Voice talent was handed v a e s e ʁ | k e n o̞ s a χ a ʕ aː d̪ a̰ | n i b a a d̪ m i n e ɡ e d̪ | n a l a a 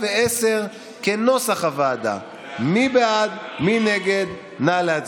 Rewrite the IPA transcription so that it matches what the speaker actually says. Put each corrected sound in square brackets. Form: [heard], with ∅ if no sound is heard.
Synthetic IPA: v [e] e s e ʁ | k e n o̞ s a χ a [v] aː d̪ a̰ | [m] i b [e] a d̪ m i n e ɡ e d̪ | n a l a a